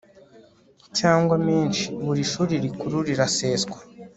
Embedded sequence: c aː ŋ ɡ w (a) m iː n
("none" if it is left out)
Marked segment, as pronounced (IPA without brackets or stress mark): a